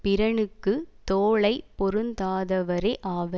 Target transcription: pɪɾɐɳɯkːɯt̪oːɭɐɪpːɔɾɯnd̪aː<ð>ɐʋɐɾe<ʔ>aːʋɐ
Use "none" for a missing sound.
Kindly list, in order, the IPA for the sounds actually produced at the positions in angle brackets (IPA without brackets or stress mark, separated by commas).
ð, ʔ